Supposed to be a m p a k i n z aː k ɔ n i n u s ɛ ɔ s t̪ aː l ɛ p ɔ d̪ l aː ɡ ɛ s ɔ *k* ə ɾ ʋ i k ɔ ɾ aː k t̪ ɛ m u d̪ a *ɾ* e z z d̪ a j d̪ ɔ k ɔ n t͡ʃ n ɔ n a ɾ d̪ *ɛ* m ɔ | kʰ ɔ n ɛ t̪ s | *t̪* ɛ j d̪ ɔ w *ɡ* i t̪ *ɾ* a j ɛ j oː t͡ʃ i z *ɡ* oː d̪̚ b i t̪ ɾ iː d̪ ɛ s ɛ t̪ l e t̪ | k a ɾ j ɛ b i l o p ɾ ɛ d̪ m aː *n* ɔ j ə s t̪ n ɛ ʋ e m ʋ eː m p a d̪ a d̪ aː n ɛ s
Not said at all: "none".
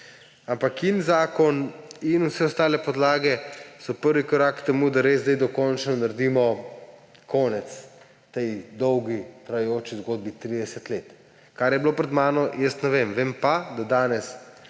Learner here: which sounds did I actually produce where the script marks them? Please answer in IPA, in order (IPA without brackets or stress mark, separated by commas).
p, ɾ, i, t̪, ɡ, ɾ, ɡ, n